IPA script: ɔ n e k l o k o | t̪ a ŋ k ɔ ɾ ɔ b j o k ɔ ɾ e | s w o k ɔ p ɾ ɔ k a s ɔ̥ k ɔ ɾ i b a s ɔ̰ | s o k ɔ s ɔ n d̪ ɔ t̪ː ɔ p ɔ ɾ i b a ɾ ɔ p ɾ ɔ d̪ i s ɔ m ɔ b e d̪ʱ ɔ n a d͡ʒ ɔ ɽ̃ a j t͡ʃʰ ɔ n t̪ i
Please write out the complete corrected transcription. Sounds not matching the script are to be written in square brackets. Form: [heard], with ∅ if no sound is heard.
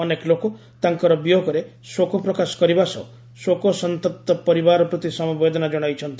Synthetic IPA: ɔ n e k l o k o | t̪ a ŋ k ɔ ɾ ɔ b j o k ɔ ɾ e | s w o k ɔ p ɾ ɔ k a s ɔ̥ k ɔ ɾ i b a s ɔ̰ | s o k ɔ s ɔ n [t̪] ɔ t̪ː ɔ p ɔ ɾ i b a ɾ ɔ p ɾ ɔ [t̪] i s ɔ m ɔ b e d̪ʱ ɔ n a d͡ʒ ɔ ɽ̃ a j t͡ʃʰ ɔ n t̪ i

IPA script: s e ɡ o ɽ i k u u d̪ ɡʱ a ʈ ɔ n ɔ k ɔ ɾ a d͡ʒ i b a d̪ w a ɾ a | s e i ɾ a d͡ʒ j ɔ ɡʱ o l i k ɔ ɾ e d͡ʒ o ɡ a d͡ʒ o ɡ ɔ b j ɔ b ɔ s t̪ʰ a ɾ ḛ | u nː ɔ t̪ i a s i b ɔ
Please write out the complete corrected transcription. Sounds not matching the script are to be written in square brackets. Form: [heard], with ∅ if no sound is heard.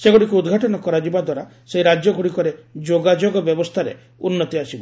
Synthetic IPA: s e ɡ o ɽ i k u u d̪ ɡʱ a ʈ ɔ n ɔ k ɔ ɾ a d͡ʒ i b a d̪ w a ɾ a | s e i ɾ a d͡ʒ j ɔ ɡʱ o [ɽ] i k ɔ ɾ e d͡ʒ o ɡ a d͡ʒ o ɡ ɔ b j ɔ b ɔ s t̪ʰ a ɾ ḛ | u nː ɔ t̪ i a s i b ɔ

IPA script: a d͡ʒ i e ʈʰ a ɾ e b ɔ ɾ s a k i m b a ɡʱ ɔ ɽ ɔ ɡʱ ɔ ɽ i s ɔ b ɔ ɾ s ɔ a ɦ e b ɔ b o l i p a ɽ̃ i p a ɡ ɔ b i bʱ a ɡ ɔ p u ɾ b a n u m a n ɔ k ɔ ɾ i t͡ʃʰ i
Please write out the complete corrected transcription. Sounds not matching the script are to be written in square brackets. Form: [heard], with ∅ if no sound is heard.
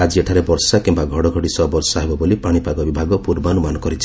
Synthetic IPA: a d͡ʒ i e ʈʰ a ɾ e b ɔ ɾ s a k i m b a ɡʱ ɔ ɽ ɔ ɡʱ ɔ ɽ i s ɔ b ɔ ɾ s ɔ a ɦ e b ɔ b o l i p a ɽ̃ i p a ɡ ɔ b i bʱ a ɡ ɔ p u ɾ b a n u m a n ɔ k ɔ ɾ i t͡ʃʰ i

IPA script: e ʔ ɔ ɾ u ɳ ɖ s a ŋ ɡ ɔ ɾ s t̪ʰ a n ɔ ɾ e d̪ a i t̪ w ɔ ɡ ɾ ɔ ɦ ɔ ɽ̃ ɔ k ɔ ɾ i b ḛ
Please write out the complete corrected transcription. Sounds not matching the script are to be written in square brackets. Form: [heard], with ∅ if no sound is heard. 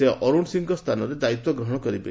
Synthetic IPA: e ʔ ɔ ɾ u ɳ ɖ s [i] ŋ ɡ ɔ [∅] s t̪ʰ a n ɔ ɾ e d̪ a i t̪ w ɔ ɡ ɾ ɔ ɦ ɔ ɽ̃ ɔ k ɔ ɾ i b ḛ

